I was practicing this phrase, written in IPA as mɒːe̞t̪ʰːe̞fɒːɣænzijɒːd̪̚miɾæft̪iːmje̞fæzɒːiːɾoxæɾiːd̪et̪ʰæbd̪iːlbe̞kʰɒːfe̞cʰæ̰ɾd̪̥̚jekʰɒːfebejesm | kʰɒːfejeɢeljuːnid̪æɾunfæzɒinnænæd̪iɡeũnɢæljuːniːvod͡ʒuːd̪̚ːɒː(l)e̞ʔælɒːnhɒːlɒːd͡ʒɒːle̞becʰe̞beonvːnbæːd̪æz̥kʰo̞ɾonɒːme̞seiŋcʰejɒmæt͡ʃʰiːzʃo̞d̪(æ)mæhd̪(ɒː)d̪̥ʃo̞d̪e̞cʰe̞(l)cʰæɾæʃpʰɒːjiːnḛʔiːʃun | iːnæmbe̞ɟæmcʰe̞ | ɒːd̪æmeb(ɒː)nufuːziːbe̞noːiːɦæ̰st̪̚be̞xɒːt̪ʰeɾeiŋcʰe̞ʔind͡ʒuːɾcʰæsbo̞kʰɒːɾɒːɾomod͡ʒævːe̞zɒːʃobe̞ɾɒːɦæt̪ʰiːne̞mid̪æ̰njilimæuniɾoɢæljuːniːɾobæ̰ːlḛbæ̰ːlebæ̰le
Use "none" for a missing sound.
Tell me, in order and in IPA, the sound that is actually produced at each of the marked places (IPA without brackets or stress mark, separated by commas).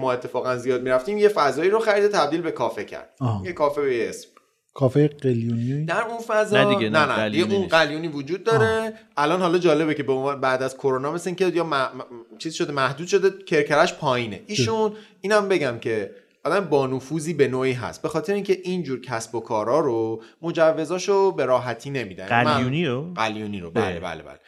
ɾ, e, uː, ɾ, ɒː